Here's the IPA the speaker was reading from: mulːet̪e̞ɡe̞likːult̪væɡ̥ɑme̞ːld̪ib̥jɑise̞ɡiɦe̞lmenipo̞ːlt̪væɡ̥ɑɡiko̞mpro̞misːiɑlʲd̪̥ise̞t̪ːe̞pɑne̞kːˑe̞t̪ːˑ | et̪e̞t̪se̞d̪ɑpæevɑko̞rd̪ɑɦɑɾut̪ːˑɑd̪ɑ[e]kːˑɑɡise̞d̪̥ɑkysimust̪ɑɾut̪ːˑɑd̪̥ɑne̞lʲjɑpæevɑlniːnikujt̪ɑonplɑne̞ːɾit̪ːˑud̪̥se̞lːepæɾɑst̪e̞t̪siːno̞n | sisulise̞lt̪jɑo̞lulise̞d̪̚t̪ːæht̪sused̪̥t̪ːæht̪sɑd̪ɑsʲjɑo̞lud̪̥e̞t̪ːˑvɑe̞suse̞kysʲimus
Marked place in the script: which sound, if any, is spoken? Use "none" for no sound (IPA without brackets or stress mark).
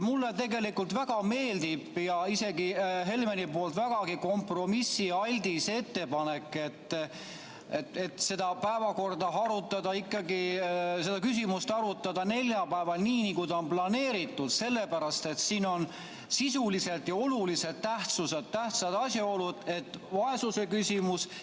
i